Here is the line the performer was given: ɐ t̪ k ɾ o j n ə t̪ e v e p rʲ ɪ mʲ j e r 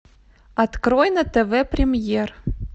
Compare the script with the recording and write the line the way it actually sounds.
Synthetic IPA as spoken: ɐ t̪ k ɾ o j n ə t̪ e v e p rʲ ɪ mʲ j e r